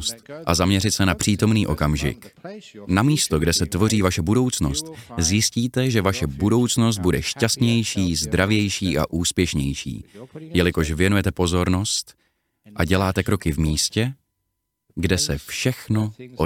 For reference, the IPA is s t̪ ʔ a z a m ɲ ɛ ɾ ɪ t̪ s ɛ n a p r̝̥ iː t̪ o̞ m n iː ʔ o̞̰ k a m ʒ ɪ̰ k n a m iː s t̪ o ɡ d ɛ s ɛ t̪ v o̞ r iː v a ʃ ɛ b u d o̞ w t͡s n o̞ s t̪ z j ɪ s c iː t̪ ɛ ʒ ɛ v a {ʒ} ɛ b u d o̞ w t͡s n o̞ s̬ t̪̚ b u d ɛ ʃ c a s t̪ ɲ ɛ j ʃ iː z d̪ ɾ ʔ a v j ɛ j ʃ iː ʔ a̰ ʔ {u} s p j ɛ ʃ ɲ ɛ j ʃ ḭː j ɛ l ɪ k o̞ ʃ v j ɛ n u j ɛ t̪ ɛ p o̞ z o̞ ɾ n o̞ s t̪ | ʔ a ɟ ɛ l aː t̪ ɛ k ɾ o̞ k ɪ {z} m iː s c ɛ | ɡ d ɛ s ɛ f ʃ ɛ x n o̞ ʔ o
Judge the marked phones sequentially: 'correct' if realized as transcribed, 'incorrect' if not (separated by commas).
incorrect, incorrect, incorrect